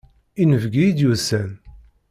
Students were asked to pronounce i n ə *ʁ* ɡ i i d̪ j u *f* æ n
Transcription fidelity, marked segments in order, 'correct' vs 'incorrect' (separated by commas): incorrect, incorrect